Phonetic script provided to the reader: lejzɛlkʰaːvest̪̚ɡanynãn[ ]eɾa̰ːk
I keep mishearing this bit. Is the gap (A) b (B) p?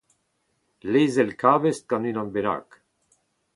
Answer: A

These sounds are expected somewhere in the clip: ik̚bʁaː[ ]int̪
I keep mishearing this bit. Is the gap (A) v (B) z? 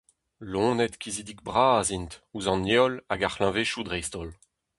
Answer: B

